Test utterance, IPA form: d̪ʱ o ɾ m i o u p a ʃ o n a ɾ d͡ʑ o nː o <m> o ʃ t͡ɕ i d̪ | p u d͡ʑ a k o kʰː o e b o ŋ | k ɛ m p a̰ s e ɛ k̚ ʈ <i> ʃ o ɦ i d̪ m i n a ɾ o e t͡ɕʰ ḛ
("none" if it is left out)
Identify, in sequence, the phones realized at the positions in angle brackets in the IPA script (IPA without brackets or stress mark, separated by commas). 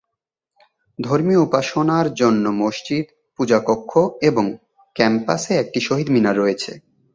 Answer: m, i